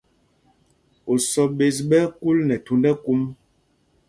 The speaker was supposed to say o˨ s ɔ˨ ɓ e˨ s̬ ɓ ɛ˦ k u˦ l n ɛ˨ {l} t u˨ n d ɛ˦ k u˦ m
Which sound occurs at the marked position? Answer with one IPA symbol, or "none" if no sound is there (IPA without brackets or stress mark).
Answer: none